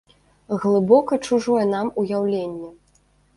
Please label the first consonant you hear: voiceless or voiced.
voiced